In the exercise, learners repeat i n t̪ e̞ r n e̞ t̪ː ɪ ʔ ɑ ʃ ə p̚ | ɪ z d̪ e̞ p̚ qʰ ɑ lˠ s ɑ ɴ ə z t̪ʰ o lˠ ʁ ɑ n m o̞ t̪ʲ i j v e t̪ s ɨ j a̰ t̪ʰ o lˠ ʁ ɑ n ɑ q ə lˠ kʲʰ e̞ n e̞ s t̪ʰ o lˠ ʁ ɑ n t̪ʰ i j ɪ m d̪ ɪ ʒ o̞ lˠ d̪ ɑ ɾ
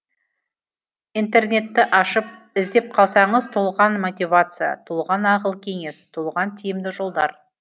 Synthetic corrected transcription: i n t̪ e̞ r n e̞ t̪ː ɪ ʔ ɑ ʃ ə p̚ | ɪ z d̪ e̞ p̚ qʰ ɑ lˠ s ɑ ɴ ə z t̪ʰ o lˠ ʁ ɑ n m o̞ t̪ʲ i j v a t̪ s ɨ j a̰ t̪ʰ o lˠ ʁ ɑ n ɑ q ə lˠ kʲʰ e̞ ŋ e̞ s t̪ʰ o lˠ ʁ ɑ n t̪ʰ i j ɪ m d̪ ɪ ʒ o̞ lˠ d̪ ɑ ɾ